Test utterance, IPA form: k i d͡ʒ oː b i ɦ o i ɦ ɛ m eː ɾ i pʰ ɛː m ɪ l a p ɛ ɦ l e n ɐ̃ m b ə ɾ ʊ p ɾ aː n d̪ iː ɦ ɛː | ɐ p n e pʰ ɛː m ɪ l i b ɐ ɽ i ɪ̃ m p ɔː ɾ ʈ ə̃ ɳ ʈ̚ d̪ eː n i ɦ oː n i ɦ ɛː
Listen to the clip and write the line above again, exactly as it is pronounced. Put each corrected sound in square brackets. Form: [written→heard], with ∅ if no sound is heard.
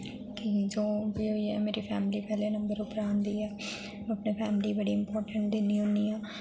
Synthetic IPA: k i d͡ʒ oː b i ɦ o i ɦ ɛ m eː ɾ i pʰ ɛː m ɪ l [a→i] p ɛ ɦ l e n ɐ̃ m b ə ɾ ʊ p ɾ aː n d̪ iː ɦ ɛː | ɐ p n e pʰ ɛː m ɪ l i b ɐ ɽ i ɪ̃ m p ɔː ɾ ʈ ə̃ ɳ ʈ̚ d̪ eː n i ɦ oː n i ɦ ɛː